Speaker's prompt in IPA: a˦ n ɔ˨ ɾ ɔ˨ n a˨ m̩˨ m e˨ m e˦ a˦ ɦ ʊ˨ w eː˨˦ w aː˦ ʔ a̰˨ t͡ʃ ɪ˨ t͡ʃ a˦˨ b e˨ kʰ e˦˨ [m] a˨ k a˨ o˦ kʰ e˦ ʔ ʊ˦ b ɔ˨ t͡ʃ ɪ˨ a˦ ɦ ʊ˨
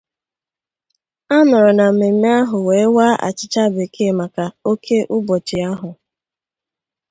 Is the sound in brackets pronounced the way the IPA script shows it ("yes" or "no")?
yes